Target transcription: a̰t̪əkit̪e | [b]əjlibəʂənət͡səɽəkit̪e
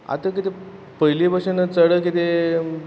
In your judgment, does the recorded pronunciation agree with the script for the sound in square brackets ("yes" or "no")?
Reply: no